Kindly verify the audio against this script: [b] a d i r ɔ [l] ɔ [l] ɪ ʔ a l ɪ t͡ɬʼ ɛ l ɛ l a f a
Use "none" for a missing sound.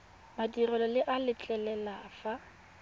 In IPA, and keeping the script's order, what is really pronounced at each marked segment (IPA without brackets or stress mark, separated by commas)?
m, l, l